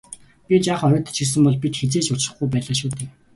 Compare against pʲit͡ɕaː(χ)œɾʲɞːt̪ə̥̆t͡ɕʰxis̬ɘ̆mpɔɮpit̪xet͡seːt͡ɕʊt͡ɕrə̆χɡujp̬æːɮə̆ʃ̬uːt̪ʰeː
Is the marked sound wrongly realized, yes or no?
no